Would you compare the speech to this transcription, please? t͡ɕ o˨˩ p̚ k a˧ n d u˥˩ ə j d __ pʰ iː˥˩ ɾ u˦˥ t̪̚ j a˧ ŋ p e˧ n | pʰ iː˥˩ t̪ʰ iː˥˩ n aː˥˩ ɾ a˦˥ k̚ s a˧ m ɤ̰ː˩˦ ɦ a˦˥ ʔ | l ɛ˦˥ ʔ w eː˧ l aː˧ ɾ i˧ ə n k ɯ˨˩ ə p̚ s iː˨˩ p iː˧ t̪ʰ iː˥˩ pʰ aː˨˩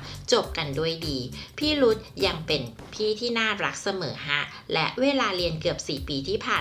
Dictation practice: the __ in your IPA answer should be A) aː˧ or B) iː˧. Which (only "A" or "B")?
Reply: B